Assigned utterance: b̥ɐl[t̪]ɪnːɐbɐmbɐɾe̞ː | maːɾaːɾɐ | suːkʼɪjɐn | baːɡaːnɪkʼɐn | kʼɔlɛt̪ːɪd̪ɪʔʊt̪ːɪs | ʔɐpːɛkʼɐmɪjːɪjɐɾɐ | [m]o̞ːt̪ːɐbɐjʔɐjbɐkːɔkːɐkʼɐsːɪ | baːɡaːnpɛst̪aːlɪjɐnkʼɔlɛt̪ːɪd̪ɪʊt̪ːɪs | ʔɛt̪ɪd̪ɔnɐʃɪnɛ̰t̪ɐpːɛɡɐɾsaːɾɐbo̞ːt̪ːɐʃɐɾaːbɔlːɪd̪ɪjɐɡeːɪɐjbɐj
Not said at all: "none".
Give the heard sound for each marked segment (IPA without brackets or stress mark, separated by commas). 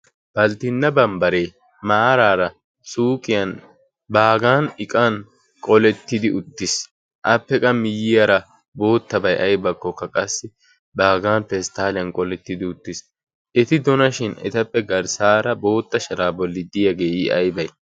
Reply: t̪, b